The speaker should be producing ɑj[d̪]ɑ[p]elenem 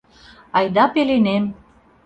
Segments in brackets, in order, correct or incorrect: correct, correct

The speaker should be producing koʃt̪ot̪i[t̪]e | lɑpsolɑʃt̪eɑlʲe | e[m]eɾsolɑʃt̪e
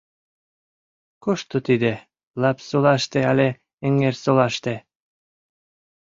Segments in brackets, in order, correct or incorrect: incorrect, incorrect

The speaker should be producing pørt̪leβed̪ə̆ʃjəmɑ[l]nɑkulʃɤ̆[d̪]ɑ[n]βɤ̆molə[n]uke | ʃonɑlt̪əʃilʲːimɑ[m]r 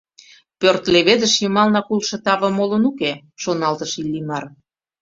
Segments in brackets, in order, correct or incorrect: correct, incorrect, incorrect, correct, incorrect

